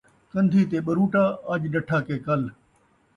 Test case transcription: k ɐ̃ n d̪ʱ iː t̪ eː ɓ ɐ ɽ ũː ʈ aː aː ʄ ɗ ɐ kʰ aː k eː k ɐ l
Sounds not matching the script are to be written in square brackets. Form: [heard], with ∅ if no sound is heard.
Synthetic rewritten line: k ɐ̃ n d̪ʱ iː t̪ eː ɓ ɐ [ɾ] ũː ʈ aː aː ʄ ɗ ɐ [ʈʰ] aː k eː k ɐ l

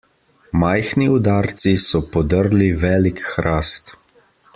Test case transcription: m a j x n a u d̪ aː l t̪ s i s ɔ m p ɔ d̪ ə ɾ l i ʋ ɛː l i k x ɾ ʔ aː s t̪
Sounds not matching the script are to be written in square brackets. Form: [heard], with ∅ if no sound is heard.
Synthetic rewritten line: m a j x n [i] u d̪ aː [ɾ] t̪ s i s ɔ [∅] p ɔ d̪ ə ɾ l i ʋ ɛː l i k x ɾ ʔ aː s t̪

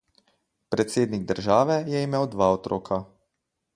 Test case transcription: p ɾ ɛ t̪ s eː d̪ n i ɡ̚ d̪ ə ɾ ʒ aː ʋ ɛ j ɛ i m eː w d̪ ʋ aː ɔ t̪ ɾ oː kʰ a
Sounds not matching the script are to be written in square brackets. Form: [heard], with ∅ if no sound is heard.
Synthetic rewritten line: p ɾ ɛ t̪ s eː d̪ n i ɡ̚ d̪ ə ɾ ʒ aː ʋ ɛ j ɛ i m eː w d̪ ʋ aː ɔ t̪ ɾ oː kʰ a

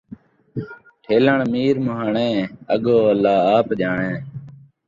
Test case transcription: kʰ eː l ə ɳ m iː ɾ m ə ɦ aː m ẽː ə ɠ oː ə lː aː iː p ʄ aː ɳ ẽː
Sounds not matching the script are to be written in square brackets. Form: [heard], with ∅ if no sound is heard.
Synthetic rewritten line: [ʈʰ] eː l ə ɳ m iː ɾ m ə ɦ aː [ɳ] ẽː ə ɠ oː ə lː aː [aː] p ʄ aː ɳ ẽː

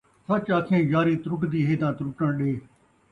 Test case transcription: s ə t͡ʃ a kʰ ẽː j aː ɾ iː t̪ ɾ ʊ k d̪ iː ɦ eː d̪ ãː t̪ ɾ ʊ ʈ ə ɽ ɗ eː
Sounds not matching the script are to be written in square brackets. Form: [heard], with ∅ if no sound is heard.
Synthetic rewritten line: s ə t͡ʃ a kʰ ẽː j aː ɾ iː t̪ ɾ ʊ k d̪ iː ɦ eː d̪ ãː t̪ ɾ ʊ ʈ ə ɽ ɗ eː

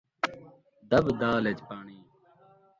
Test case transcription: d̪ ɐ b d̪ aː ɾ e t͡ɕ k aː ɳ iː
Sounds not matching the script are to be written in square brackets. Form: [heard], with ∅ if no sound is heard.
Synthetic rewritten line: d̪ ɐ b d̪ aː [l] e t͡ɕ [p] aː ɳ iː

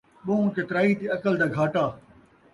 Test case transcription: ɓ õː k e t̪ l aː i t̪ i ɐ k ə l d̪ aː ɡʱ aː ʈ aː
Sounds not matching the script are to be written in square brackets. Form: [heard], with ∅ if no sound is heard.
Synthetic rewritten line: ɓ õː k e t̪ [ɾ] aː i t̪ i ɐ k ə l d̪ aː ɡʱ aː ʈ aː

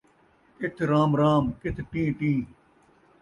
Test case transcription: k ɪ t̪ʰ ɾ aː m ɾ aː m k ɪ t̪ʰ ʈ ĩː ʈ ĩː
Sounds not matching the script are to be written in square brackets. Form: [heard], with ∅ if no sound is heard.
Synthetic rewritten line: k ɪ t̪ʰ ɾ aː m ɾ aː m k ɪ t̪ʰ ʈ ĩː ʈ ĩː

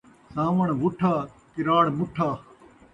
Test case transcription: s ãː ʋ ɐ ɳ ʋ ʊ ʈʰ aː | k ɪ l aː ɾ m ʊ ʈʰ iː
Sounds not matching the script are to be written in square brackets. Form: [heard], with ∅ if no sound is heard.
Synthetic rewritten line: s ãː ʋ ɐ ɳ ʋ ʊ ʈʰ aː | k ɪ [ɾ] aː [ɽ] m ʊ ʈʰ [aː]

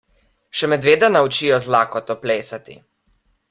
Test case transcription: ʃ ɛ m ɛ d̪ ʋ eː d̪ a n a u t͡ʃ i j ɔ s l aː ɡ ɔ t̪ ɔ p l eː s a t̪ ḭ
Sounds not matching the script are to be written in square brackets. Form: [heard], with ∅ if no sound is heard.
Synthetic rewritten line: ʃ ɛ m ɛ d̪ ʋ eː d̪ a n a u t͡ʃ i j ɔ [z] l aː [k] ɔ t̪ ɔ p l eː s a t̪ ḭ

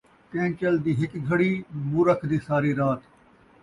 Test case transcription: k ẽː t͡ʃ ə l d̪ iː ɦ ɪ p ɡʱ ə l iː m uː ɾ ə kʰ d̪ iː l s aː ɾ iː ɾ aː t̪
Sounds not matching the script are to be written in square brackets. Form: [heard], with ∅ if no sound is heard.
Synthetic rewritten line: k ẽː t͡ʃ ə l d̪ iː ɦ ɪ [k] ɡʱ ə [ɽ] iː m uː ɾ ə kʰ d̪ iː [∅] s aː ɾ iː ɾ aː t̪

